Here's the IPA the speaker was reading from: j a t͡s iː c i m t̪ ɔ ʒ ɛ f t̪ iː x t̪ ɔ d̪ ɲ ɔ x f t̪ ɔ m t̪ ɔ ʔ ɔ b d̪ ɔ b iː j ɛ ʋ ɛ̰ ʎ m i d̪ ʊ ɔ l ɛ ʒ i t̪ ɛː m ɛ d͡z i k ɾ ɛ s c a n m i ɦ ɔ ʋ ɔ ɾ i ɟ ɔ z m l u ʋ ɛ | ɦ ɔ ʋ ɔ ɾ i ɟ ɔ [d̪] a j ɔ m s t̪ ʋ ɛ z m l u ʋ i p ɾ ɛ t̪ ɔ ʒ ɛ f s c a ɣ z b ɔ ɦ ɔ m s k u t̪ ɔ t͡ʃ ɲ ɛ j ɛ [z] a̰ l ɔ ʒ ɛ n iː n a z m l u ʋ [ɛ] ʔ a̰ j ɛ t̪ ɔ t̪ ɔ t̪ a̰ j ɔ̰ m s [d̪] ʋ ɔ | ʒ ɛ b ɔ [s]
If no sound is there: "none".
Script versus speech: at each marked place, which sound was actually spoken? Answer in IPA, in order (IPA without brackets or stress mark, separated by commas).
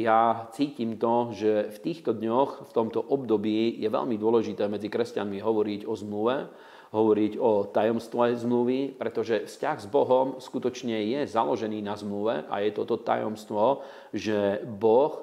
t̪, z, ɛ, t̪, x